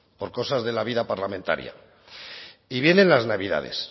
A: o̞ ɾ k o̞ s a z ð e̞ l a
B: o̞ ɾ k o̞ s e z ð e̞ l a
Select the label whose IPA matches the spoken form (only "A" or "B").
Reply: A